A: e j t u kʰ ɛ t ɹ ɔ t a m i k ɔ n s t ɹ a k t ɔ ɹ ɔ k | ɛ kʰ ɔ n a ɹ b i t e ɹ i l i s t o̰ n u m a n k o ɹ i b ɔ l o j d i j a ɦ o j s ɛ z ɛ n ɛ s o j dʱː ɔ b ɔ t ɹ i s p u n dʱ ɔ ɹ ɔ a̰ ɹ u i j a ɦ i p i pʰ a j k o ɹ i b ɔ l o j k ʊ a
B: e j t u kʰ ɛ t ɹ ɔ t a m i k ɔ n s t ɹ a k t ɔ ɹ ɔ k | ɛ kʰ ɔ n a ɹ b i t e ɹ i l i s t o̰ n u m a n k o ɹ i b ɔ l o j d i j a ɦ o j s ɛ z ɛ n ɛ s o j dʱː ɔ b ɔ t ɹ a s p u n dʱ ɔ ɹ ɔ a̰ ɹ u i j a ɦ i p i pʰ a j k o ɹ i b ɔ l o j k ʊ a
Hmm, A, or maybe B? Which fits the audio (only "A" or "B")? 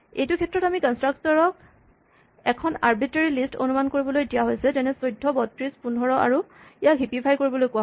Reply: A